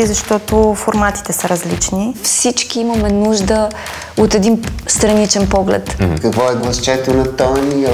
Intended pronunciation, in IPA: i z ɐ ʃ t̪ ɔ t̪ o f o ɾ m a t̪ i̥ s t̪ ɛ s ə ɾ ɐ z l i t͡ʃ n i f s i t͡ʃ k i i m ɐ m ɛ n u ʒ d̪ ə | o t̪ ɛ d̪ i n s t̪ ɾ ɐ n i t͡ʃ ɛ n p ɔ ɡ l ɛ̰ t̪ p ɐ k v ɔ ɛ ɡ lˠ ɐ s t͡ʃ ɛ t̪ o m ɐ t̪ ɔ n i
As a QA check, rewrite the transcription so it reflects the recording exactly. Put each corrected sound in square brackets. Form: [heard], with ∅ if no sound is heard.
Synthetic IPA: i z ɐ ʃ t̪ ɔ t̪ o f o ɾ m a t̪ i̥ [∅] t̪ ɛ s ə ɾ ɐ z l i t͡ʃ n i f s i t͡ʃ k i i m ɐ m ɛ n u ʒ d̪ ə | o t̪ ɛ d̪ i n s t̪ ɾ ɐ n i t͡ʃ ɛ n p ɔ ɡ l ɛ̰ t̪ [k] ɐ k v ɔ ɛ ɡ lˠ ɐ s t͡ʃ ɛ t̪ o [n] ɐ t̪ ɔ n i